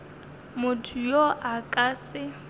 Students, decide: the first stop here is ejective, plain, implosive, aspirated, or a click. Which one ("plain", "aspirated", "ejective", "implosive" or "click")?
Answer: aspirated